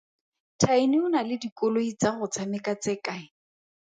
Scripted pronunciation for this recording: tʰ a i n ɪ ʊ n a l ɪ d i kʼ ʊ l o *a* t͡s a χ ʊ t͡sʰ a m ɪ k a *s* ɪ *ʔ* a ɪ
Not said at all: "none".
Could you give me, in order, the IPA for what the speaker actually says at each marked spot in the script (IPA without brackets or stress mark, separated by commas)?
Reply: i, t͡s, k